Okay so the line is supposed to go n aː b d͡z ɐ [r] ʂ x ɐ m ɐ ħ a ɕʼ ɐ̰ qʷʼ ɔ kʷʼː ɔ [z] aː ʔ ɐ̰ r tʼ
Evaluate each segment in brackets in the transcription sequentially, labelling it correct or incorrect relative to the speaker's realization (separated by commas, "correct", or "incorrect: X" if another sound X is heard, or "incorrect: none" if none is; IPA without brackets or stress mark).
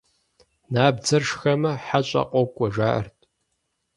correct, incorrect: ʒ